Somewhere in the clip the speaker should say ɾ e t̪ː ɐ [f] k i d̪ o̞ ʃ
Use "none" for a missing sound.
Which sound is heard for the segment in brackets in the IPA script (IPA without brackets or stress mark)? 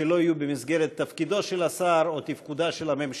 f